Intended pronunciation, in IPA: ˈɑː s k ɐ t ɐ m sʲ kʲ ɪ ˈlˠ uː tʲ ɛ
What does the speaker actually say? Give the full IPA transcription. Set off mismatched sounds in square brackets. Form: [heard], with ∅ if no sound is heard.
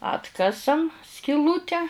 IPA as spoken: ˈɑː [t] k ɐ [s] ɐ m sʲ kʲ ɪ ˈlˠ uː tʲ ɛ